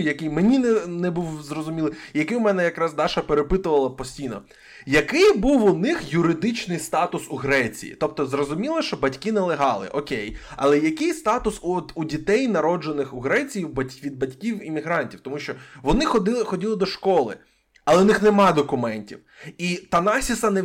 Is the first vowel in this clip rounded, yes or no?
no